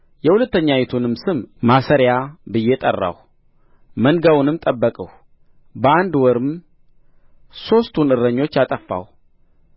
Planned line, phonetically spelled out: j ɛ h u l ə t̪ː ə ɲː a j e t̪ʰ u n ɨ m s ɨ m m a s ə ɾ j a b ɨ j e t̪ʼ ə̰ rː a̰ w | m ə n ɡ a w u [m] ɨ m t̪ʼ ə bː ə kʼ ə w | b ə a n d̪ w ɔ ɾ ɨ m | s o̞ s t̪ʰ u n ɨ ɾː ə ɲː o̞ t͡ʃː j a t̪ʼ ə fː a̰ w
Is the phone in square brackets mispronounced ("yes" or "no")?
yes